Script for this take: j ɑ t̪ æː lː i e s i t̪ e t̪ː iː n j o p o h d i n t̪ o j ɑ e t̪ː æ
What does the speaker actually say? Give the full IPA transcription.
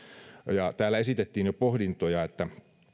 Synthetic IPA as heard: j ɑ t̪ æː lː æ e s i t̪ e t̪ː iː n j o p o h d i n t̪ o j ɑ e t̪ː æ

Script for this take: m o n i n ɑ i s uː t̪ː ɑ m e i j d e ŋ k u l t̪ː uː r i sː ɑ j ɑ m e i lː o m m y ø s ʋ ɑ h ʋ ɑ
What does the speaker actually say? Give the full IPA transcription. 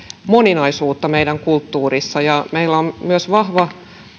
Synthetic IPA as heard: m o n i n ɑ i s uː t̪ː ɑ m e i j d æ ŋ k u l t̪ː uː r i sː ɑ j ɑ m e i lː o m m y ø s ʋ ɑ h ʋ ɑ

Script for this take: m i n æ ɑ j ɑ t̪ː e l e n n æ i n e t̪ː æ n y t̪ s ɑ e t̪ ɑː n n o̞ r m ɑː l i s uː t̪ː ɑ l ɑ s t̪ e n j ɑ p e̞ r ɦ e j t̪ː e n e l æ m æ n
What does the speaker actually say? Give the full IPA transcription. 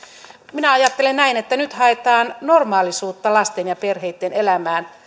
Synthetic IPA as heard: m i n æ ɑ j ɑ t̪ː e l e n n æ i n e t̪ː æ n y t̪ h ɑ e t̪ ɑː n n o̞ r m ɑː l i s uː t̪ː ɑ l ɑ s t̪ e n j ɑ p e̞ r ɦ e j t̪ː e n e l æ m æː n

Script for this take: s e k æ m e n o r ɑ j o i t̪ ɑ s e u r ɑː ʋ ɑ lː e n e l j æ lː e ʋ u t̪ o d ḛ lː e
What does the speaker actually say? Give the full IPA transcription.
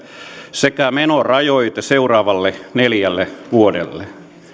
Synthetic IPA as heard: s e k æ m e n o r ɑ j o i t̪ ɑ s e u r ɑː ʋ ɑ lː e n e l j æ lː e ʋ u o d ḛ lː e

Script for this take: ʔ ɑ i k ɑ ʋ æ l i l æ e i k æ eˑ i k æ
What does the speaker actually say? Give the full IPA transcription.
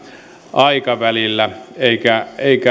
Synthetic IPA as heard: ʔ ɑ i k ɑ ʋ æ l i lː æ e i k æ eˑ i k æ

